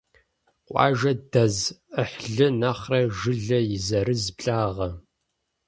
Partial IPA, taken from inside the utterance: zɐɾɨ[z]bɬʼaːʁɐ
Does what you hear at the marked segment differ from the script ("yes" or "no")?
no